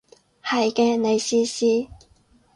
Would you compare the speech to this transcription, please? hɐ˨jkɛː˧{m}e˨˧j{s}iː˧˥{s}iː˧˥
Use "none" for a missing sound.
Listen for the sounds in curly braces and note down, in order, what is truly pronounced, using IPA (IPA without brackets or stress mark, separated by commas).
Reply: n, s, s